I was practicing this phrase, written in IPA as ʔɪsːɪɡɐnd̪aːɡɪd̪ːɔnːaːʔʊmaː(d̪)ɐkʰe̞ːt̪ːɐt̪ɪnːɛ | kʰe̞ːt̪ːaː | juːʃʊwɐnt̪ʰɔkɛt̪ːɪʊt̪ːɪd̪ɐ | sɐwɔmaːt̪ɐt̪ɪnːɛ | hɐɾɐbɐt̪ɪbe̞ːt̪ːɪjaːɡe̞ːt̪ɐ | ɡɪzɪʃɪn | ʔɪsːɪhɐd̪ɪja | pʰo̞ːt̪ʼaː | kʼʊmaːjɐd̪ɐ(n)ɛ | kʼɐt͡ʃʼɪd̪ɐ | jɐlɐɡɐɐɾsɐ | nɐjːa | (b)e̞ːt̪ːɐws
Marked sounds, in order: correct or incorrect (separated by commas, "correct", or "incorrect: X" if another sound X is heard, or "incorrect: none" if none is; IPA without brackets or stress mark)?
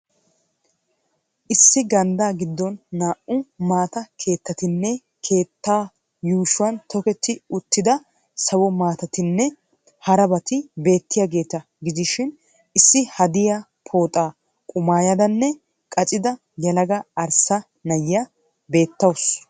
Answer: incorrect: t̪, incorrect: nː, correct